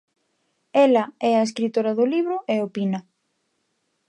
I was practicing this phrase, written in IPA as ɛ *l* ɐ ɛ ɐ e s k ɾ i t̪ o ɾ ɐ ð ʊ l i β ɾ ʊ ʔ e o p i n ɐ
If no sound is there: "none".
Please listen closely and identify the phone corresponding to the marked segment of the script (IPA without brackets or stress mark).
l